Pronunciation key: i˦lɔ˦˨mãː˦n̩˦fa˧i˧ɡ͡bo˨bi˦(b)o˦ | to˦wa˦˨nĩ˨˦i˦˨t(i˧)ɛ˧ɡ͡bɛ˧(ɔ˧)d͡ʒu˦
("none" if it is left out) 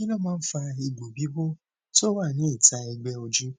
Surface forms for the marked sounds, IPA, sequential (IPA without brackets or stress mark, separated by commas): b, a˧, o˧